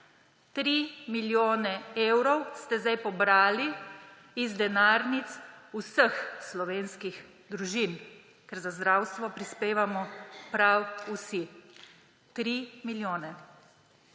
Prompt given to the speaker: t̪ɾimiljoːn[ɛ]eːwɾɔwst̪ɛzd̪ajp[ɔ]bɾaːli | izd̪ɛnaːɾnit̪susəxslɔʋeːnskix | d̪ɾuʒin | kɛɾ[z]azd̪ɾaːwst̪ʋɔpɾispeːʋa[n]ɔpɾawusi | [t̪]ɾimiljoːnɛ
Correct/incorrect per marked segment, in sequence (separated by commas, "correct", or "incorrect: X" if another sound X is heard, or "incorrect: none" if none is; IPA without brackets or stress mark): correct, correct, correct, incorrect: m, correct